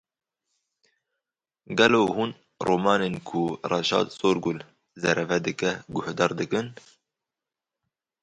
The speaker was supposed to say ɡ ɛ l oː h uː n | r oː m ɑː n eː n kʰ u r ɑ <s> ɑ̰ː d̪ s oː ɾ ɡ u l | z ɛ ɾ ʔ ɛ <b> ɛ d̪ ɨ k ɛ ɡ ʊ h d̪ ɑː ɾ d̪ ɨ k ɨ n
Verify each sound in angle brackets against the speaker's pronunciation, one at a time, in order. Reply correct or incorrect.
incorrect: ʃ, incorrect: v

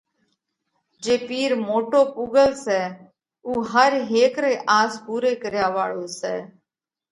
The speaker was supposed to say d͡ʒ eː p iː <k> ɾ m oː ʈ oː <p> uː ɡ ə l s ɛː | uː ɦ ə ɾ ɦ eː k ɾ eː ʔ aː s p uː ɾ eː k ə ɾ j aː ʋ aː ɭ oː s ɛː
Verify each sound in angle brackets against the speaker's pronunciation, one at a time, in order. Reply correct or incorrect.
incorrect: none, correct

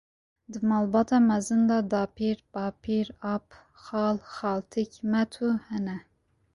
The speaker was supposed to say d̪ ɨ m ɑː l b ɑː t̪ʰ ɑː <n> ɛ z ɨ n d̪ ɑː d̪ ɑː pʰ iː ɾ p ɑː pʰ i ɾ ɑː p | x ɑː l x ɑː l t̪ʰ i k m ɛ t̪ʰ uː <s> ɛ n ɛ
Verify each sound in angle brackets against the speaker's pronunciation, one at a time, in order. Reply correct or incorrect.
incorrect: m, incorrect: h

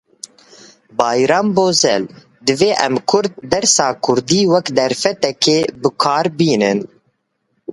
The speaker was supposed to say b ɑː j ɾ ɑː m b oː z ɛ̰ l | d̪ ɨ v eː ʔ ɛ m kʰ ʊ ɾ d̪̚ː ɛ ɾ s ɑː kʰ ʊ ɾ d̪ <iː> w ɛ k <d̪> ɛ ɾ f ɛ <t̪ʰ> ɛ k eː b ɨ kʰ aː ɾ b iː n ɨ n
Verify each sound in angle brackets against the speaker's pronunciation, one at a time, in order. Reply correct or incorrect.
correct, correct, incorrect: t̪

